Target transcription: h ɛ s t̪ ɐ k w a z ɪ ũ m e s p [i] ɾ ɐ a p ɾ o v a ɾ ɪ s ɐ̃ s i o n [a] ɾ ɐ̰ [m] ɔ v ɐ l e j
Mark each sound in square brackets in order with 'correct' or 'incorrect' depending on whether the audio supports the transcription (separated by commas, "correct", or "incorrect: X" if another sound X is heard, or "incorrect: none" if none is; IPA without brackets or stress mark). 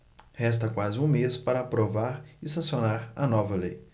incorrect: a, correct, incorrect: n